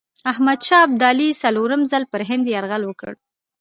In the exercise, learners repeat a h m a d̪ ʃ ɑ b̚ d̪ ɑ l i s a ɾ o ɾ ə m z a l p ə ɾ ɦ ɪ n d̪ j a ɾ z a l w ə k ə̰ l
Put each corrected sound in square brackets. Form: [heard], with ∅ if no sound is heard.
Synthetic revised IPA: a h m a d̪ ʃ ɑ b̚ d̪ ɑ l i s a [l] o ɾ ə m z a l p ə ɾ ɦ ɪ n d̪ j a ɾ [ɣ] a l w ə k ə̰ [ɽ]